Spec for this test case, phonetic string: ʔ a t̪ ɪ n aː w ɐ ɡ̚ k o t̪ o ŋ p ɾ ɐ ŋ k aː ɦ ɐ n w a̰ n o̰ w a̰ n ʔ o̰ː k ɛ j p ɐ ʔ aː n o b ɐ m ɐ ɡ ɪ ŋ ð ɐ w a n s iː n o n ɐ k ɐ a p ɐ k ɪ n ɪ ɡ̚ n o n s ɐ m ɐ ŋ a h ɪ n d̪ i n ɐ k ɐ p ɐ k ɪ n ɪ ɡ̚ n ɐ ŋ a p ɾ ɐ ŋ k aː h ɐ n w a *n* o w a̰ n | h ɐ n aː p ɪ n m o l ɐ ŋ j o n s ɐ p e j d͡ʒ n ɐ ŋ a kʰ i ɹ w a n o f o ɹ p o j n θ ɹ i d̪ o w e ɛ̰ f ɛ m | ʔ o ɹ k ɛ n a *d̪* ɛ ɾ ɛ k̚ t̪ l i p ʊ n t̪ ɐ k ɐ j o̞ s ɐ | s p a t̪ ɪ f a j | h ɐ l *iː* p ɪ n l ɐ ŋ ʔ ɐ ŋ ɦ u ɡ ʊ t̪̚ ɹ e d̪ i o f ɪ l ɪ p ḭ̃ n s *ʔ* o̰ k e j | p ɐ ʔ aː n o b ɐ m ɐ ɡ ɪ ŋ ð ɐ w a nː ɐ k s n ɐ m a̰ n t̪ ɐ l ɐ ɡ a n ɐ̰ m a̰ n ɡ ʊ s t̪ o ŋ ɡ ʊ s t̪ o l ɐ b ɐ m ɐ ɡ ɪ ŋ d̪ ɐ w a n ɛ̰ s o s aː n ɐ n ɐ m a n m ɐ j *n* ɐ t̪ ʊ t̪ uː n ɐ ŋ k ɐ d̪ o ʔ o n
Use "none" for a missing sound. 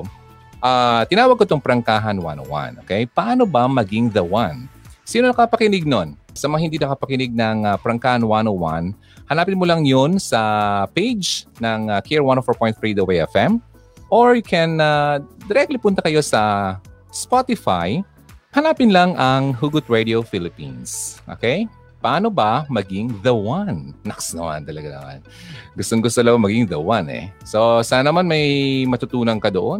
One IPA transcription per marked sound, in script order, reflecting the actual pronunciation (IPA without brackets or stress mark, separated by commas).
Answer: n, d̪, aː, ʔ, m